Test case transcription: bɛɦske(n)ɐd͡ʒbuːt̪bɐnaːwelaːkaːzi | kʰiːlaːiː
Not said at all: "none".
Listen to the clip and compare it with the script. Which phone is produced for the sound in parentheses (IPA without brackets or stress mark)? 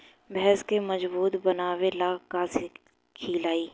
m